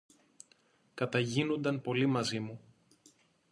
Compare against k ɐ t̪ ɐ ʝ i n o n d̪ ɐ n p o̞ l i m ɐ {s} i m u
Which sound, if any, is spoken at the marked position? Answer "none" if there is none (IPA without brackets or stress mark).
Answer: z